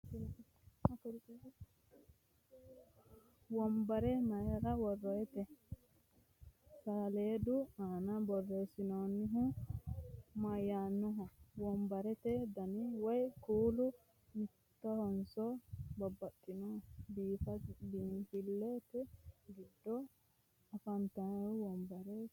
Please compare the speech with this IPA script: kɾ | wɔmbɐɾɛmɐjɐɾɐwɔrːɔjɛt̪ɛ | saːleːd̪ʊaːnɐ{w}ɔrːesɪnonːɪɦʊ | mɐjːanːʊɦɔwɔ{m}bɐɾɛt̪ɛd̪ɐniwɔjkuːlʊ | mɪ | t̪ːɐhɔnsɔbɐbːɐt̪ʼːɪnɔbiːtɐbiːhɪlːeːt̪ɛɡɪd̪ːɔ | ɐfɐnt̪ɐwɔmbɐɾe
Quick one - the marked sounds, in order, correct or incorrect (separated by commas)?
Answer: incorrect, correct